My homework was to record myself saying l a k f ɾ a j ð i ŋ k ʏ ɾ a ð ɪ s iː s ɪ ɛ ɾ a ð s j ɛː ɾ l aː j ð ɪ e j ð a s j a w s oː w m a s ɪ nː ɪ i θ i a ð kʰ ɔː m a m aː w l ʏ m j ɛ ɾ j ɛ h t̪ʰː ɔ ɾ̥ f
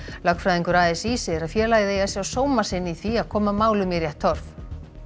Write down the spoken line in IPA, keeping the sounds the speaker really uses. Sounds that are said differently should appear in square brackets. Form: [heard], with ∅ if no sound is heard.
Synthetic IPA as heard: l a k f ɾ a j ð i ŋ k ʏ ɾ a ð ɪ s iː s ɪ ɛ ɾ a ð [f] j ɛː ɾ l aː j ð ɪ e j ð a s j a w s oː w m a s ɪ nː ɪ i θ i a ð kʰ ɔː m a m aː w l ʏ m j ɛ ɾ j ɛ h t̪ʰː ɔ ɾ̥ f